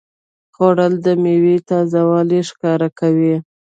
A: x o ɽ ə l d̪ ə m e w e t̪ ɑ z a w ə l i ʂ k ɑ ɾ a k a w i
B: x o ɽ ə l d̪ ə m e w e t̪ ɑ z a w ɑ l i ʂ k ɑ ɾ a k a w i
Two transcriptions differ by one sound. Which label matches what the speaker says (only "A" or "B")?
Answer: B